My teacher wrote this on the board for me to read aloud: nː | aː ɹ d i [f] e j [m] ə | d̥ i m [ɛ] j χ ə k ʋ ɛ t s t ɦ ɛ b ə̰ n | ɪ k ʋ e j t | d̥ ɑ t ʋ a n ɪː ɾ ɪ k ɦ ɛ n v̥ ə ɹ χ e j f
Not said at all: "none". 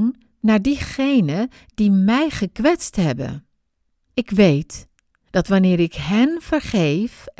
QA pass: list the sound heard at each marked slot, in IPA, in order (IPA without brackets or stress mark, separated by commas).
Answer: χ, n, ɛ